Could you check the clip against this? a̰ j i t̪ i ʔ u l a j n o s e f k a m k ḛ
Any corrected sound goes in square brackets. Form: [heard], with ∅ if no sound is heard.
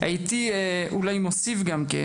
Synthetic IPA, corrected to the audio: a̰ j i t̪ i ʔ u l a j [m] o s [i] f [ɡ] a m k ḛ